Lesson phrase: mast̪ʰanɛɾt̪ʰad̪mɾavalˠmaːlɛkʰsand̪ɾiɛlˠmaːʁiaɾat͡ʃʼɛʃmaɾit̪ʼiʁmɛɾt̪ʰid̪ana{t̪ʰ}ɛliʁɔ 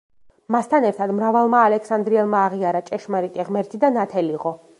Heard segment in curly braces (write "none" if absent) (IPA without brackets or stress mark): t̪ʰ